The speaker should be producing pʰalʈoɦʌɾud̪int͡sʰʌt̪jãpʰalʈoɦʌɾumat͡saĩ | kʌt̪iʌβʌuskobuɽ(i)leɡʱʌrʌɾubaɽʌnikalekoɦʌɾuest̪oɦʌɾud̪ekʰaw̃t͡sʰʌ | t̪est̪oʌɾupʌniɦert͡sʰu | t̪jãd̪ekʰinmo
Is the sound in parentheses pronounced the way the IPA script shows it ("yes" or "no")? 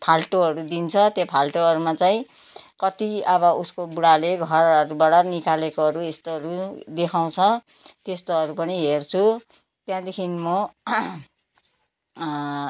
no